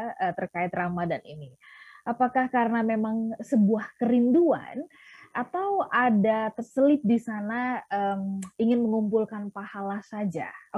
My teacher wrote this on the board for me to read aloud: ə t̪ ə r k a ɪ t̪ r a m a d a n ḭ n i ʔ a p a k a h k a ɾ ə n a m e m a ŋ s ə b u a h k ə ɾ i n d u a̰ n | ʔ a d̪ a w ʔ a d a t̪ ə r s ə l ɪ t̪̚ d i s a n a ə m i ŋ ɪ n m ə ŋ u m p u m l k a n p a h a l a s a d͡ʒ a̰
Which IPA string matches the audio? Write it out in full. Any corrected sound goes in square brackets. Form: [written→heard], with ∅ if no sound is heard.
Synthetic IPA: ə t̪ ə r k a ɪ t̪ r a m a d a n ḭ n i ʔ a p a k a h k a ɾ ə n a m e m a ŋ s ə b u a h k ə ɾ i n d u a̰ n | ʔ a [d̪→t̪] a w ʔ a d a t̪ ə r s ə l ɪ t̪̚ d i s a n a ə m i ŋ ɪ n m ə ŋ u m p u [m→∅] l k a n p a h a l a s a d͡ʒ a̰